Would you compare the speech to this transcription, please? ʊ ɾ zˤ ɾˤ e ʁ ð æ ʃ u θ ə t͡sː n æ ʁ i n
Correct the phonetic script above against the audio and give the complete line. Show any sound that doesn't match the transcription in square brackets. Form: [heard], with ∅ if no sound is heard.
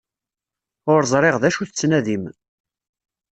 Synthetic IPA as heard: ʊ ɾ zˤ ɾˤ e ʁ ð æ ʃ u θ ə t͡sː n æ [ð] i [m]